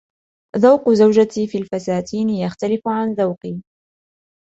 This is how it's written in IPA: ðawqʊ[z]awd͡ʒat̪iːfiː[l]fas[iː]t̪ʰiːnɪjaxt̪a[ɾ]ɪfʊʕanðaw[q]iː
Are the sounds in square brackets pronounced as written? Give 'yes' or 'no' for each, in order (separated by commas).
yes, yes, no, no, yes